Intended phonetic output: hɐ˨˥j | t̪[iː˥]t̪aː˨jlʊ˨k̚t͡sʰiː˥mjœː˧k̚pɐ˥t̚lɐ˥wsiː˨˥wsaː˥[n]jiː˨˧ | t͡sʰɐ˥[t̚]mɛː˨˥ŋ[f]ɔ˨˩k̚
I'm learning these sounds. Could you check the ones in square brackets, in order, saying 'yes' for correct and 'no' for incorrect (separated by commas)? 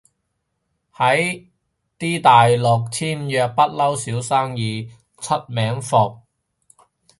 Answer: yes, no, yes, yes